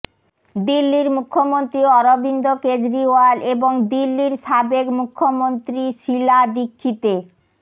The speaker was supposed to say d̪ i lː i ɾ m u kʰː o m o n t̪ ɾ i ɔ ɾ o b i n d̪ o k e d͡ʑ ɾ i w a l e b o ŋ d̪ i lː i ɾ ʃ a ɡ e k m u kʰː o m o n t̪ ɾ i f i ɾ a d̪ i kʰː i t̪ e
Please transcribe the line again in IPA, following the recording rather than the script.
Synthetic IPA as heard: d̪ i lː i ɾ m u kʰː o m o n t̪ ɾ i ɔ ɾ o b i n d̪ o k e d͡ʑ ɾ i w a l e b o ŋ d̪ i lː i ɾ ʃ a b e k m u kʰː o m o n t̪ ɾ i ʃ i l a d̪ i kʰː i t̪ e